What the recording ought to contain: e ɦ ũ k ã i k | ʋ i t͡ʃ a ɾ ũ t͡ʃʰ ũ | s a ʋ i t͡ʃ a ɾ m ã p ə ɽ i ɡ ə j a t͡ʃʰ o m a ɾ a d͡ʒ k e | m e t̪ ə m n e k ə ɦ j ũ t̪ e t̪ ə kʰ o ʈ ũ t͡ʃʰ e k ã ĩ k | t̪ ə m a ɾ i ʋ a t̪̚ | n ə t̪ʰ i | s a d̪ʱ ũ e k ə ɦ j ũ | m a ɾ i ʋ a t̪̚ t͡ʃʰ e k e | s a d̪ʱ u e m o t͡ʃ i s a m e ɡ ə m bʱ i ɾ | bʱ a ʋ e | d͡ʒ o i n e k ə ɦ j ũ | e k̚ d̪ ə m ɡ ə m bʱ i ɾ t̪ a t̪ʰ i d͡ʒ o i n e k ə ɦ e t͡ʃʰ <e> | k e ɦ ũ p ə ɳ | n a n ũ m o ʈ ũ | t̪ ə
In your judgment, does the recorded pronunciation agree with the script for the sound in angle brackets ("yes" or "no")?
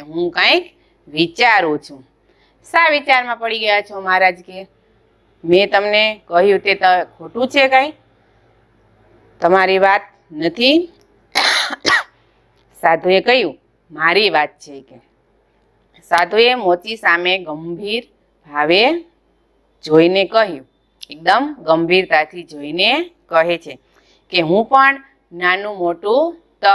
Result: yes